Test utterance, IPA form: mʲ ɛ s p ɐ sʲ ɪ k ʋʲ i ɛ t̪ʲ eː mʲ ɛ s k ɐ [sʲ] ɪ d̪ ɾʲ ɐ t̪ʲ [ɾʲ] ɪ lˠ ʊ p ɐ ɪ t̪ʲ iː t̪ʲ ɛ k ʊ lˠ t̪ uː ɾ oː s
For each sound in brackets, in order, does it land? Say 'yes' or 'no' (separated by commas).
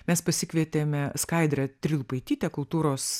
no, yes